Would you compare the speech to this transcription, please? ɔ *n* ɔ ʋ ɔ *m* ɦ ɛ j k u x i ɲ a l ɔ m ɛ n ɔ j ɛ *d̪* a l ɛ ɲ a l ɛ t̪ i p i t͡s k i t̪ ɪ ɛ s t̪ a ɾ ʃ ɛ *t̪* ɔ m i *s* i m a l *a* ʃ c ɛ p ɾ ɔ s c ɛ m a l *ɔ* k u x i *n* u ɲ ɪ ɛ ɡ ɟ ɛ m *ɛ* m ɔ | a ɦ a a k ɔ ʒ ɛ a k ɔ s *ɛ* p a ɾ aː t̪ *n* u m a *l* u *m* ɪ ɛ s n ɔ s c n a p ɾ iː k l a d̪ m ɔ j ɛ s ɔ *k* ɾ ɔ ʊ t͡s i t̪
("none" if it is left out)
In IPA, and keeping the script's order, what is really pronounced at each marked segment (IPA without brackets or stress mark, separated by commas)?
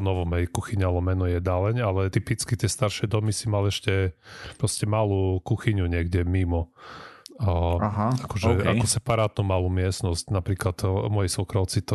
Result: n, m, d̪, d̪, s, ɛ, u, ɲ, i, ɛ, n, l, m, k